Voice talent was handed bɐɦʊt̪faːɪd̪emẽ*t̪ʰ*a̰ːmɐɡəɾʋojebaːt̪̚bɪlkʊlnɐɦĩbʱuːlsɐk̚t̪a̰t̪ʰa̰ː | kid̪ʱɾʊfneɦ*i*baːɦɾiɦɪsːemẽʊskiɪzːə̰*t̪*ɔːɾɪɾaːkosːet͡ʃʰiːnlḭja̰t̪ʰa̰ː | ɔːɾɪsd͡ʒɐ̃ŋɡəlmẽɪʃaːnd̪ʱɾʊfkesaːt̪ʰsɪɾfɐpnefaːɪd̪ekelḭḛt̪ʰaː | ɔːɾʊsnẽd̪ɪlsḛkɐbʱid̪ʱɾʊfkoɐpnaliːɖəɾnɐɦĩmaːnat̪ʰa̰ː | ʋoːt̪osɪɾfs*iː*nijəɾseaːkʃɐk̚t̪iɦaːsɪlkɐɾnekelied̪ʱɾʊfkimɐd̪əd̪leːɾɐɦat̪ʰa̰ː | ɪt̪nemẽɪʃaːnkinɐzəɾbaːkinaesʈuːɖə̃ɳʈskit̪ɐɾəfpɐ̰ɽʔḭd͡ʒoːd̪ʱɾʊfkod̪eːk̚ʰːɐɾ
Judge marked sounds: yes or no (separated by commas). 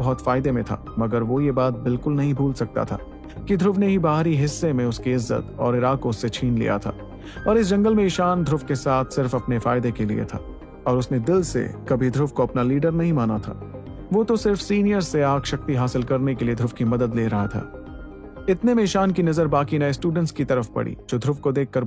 yes, yes, yes, yes